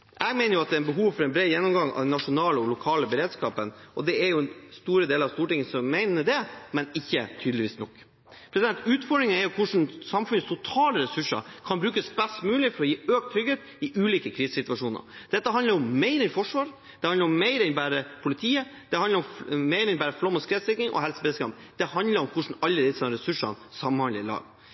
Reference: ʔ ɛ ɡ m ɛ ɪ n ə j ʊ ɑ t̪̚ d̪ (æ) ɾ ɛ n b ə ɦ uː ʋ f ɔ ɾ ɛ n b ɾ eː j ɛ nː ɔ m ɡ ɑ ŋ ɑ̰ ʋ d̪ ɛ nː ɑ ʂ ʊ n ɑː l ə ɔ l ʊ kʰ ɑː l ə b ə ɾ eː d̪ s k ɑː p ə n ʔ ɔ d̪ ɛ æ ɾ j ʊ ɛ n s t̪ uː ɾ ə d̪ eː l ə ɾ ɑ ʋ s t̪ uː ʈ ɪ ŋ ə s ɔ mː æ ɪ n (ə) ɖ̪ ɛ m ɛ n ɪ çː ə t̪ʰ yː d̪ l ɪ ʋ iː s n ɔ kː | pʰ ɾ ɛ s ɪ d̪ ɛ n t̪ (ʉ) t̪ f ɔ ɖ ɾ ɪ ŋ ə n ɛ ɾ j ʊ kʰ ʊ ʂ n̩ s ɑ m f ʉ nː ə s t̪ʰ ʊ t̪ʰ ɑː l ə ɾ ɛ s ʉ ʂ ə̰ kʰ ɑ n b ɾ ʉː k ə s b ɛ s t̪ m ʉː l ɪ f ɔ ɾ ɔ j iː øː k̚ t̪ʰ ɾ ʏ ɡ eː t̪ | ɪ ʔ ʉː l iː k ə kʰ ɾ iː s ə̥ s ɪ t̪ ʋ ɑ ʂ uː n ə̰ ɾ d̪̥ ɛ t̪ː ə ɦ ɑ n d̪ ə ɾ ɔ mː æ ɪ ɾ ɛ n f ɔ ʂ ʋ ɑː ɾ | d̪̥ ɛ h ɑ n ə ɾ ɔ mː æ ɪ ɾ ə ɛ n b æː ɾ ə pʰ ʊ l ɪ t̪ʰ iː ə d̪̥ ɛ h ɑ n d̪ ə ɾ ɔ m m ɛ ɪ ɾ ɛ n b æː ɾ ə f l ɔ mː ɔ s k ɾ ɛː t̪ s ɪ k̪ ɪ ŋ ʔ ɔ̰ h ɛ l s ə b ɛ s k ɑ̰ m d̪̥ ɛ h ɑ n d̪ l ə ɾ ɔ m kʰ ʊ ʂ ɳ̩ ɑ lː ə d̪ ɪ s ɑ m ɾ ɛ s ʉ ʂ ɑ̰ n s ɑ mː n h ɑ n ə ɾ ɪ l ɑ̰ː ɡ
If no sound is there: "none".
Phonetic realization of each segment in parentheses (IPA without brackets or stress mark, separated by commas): ɛ, ə, ʉː